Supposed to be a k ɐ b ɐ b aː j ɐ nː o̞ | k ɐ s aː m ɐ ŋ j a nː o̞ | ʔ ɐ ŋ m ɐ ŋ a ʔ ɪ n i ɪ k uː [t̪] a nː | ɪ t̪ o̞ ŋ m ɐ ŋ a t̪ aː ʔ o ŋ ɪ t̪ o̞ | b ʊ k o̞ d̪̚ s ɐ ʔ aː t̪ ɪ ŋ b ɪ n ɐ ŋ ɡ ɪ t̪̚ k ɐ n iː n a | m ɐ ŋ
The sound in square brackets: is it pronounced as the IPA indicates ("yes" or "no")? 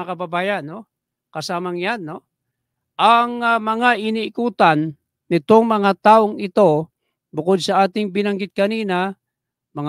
yes